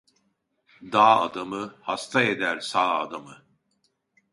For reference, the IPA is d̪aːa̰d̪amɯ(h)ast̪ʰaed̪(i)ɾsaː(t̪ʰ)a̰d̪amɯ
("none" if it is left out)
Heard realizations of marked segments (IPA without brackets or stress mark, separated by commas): h, æ, none